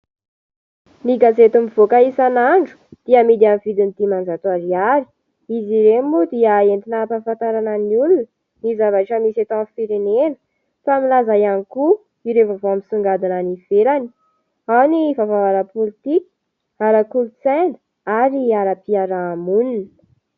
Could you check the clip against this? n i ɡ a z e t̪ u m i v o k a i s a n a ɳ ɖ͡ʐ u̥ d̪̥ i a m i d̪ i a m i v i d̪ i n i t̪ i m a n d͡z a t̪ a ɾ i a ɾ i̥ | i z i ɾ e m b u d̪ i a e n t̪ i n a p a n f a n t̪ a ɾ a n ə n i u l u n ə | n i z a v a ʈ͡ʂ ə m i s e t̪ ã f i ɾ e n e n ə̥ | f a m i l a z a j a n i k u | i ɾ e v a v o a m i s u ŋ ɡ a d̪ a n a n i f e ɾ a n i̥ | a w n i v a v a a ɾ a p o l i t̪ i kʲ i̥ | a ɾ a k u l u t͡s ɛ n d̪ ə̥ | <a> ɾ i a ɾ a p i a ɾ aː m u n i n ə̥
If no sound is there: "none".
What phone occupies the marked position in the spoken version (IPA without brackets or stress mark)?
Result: a